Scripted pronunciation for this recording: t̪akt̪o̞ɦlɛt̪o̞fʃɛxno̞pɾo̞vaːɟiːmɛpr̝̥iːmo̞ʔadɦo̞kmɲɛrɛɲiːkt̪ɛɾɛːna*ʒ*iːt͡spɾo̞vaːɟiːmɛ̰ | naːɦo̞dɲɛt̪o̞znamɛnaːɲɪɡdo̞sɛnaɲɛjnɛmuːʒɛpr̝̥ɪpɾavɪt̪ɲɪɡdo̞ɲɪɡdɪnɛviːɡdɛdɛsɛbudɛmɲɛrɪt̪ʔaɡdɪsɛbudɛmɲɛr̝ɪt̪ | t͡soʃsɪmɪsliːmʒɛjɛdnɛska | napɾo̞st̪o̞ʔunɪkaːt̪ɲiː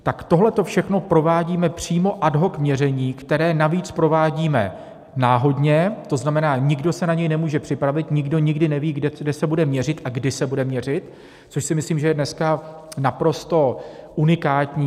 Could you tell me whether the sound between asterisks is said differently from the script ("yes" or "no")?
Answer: yes